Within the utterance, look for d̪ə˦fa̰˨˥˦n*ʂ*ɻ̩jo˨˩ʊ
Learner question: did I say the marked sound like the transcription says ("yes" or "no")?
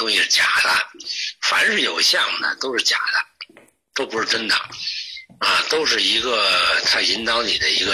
yes